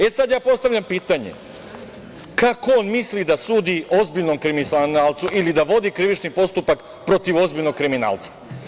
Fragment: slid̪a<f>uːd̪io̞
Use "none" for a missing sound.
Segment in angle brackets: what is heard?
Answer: s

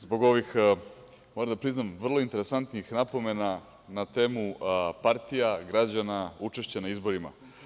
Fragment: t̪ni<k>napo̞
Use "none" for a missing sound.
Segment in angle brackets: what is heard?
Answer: x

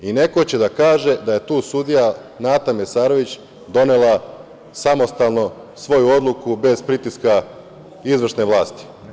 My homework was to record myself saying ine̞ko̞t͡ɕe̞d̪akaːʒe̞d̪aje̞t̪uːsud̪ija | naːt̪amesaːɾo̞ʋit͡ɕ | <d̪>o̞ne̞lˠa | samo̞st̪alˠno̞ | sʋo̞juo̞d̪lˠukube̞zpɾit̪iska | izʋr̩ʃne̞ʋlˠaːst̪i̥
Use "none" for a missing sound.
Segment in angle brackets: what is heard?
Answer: d̪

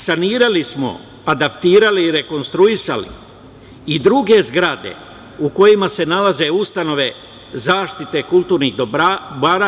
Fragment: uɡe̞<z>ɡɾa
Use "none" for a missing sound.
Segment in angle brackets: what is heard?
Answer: z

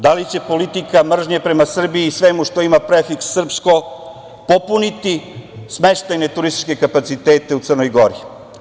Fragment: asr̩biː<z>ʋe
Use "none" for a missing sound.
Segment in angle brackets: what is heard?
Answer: s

